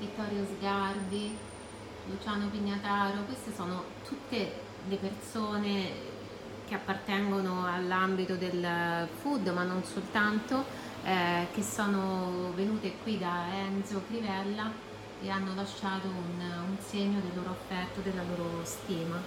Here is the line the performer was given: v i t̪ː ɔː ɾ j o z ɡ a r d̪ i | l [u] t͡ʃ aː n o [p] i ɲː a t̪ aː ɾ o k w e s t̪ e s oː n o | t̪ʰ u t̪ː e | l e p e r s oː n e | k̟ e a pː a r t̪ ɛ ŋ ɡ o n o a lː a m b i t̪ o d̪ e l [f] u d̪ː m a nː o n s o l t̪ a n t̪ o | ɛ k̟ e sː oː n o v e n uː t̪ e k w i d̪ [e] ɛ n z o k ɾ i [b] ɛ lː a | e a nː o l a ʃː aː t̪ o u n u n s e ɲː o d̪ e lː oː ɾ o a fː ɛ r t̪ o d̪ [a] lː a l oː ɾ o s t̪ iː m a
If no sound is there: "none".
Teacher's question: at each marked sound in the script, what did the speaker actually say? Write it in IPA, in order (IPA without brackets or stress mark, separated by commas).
u, p, f, a, v, e